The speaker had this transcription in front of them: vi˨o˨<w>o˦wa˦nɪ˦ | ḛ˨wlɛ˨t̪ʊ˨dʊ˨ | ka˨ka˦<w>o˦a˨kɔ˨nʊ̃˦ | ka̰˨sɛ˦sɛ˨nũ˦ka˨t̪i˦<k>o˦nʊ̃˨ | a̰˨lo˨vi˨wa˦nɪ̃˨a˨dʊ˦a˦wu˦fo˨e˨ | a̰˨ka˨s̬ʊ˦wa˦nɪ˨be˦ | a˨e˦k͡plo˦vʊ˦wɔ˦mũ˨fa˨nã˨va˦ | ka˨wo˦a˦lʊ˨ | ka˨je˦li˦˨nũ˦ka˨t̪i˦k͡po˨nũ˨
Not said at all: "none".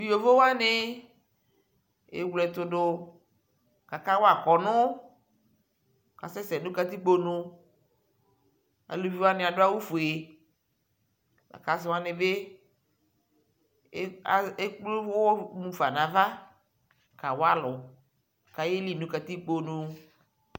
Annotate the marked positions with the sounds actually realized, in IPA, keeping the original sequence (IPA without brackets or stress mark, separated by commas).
v, w, k͡p